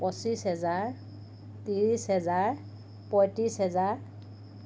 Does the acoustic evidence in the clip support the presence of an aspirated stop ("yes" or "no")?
no